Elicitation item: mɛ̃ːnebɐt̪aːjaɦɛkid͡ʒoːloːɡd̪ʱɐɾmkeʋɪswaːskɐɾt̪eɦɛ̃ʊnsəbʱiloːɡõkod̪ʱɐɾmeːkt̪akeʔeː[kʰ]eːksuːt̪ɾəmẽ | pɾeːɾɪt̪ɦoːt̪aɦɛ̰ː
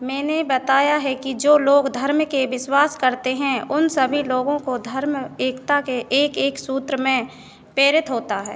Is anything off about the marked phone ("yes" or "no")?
yes